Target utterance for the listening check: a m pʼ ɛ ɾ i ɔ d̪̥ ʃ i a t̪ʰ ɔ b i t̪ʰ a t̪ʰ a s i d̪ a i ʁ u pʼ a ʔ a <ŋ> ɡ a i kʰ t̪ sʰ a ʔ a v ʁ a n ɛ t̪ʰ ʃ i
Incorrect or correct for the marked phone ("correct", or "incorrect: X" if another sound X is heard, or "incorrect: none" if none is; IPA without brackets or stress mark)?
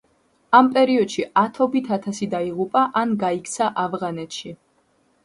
incorrect: n